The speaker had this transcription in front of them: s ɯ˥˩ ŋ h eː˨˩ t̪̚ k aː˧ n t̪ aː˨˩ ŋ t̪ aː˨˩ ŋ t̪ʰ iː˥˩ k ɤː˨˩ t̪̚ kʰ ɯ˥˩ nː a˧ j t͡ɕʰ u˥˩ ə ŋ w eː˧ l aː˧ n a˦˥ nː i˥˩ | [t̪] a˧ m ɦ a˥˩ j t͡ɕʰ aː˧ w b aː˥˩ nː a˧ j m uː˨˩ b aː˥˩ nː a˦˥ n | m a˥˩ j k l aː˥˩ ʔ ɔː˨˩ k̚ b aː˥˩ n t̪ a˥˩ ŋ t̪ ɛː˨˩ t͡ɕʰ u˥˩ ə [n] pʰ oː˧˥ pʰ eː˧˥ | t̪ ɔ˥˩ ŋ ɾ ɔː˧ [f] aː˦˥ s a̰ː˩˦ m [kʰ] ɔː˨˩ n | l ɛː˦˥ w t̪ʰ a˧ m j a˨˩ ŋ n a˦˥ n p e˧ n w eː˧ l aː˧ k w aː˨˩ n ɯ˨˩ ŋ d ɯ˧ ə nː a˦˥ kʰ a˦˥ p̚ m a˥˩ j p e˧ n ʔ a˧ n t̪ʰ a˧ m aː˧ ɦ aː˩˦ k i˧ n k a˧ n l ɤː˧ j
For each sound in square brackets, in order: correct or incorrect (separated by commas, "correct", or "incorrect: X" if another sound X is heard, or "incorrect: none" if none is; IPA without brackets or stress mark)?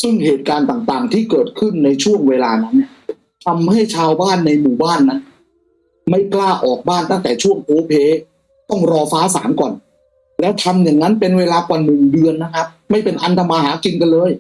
incorrect: t̪ʰ, incorrect: ŋ, correct, incorrect: k